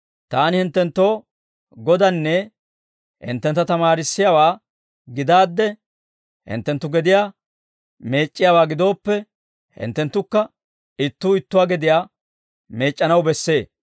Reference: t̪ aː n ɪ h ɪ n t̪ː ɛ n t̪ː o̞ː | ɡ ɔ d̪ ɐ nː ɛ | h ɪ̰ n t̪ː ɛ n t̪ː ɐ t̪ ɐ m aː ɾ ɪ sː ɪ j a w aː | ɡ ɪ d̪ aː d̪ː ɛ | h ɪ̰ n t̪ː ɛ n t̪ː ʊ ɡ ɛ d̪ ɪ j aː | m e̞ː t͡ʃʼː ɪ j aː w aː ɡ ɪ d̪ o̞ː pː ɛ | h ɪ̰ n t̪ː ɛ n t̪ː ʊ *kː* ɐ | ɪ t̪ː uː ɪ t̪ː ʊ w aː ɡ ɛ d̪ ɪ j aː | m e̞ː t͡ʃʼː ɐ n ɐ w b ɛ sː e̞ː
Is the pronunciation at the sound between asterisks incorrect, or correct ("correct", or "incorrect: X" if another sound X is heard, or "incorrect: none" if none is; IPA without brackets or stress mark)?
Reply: correct